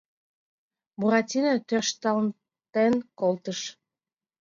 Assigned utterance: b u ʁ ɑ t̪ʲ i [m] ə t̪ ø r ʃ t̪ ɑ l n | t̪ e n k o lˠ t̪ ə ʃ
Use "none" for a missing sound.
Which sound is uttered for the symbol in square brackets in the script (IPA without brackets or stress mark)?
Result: n